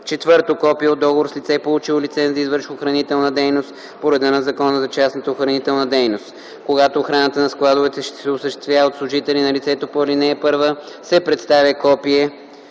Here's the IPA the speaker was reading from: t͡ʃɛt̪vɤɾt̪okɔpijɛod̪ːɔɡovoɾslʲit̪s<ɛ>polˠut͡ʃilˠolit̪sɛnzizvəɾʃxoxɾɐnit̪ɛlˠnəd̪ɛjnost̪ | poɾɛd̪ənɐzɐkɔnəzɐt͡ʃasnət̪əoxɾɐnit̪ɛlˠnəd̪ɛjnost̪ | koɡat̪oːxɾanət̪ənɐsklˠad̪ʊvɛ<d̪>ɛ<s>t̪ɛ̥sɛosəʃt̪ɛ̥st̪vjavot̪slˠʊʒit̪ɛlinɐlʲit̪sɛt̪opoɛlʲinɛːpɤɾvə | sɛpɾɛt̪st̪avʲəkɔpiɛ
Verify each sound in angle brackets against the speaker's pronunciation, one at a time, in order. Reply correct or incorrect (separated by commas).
correct, incorrect, incorrect